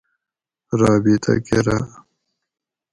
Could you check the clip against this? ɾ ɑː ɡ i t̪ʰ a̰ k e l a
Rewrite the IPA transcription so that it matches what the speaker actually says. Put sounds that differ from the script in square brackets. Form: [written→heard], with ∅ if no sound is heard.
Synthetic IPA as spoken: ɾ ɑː [ɡ→b] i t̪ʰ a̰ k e [l→ɾ] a